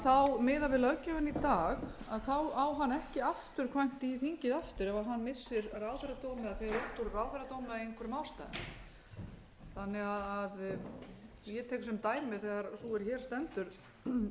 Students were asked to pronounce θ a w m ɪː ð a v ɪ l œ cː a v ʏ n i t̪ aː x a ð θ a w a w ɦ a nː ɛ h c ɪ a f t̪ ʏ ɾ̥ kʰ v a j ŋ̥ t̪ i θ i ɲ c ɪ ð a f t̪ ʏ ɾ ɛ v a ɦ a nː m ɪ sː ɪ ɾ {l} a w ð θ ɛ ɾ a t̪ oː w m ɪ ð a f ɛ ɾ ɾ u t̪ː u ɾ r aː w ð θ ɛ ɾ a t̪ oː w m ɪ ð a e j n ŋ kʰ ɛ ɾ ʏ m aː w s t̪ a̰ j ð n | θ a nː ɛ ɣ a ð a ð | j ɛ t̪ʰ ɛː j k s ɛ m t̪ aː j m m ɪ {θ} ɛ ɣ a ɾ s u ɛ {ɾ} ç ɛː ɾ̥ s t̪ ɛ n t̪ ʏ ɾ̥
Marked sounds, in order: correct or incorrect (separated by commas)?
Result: incorrect, correct, correct